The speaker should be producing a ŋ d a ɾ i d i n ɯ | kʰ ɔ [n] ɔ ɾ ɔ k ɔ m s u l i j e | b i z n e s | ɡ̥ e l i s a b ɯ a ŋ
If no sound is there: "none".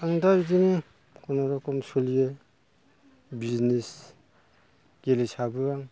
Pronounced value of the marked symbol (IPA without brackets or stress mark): n